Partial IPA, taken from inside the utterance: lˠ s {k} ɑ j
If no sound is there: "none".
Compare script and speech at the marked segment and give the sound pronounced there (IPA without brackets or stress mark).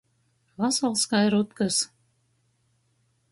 k